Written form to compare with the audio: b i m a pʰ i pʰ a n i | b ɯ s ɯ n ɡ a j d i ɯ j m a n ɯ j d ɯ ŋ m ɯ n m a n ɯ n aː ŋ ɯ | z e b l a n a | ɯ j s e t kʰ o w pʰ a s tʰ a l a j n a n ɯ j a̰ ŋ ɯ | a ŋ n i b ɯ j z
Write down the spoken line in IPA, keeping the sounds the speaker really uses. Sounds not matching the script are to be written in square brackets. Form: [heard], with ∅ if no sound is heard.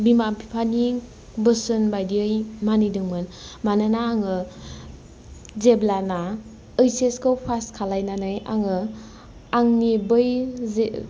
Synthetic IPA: b i m a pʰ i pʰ a n i | b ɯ s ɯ n [b] a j d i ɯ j m a n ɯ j d ɯ ŋ m ɯ n m a n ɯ n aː ŋ ɯ | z e b l a n a | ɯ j s e [s] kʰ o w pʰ a s [kʰ] a l a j n a n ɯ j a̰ ŋ ɯ | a ŋ n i b ɯ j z